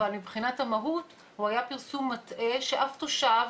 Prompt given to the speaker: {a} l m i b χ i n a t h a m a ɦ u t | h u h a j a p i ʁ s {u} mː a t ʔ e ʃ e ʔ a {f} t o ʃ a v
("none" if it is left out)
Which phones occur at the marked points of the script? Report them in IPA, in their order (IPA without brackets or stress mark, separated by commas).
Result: a, u, f